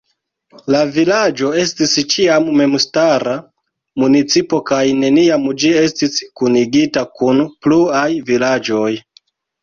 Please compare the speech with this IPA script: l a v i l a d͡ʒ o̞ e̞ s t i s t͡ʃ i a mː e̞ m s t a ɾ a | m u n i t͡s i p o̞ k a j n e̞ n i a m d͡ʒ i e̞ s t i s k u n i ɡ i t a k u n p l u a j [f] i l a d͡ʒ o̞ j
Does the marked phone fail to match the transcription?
yes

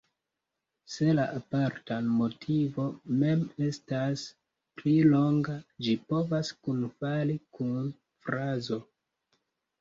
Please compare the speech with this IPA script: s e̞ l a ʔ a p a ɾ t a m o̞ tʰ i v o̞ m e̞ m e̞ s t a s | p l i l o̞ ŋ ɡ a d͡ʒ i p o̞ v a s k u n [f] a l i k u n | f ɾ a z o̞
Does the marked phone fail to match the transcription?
no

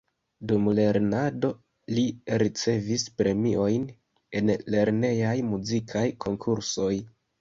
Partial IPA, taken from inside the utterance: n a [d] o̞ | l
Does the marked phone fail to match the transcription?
no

